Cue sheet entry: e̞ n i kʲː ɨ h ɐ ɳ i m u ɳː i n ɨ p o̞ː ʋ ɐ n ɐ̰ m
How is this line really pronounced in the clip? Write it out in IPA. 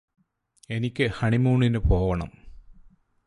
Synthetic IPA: e̞ n i kʲː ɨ h ɐ ɳ i m uː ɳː i n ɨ p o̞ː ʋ ɐ ɳ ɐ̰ m